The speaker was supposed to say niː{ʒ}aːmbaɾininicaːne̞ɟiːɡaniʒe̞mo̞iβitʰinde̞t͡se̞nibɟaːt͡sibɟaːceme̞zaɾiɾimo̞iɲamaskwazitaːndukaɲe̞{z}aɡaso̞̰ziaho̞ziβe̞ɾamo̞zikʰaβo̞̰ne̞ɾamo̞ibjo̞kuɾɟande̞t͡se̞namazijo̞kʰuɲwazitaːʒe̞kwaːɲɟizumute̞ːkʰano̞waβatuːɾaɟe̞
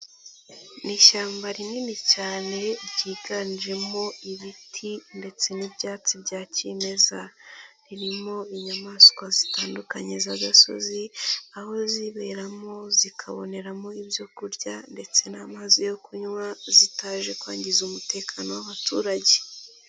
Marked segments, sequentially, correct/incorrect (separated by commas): incorrect, correct